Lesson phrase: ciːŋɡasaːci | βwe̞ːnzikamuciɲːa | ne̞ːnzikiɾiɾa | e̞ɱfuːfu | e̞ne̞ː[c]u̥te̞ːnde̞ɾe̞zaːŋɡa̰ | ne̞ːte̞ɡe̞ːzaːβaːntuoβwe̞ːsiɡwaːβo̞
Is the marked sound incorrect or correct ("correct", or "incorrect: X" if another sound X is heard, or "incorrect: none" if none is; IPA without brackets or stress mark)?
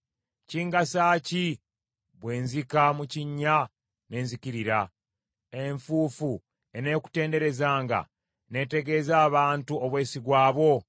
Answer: incorrect: k